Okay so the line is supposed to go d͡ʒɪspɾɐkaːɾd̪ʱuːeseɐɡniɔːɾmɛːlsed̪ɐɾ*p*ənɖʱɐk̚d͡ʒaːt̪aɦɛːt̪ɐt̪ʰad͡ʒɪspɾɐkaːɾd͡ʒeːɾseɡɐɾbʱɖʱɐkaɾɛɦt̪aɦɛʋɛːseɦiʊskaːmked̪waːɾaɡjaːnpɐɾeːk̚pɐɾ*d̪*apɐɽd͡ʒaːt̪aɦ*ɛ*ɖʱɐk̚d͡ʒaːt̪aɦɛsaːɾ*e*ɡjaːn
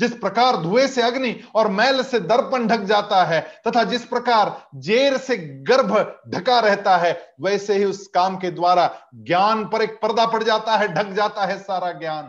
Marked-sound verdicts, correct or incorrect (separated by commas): correct, correct, correct, incorrect